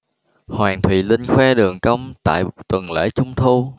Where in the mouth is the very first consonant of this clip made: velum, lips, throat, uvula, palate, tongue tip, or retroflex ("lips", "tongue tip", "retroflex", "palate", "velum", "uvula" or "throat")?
throat